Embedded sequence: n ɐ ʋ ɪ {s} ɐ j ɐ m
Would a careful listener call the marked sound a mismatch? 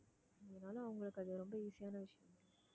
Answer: yes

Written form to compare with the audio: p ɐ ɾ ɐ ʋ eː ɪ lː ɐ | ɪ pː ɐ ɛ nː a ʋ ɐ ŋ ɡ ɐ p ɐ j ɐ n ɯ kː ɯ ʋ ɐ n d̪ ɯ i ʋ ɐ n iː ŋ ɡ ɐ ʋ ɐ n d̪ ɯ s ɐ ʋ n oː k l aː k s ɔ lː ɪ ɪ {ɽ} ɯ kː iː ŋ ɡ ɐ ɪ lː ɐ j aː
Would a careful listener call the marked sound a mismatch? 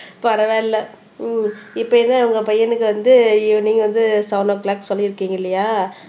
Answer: yes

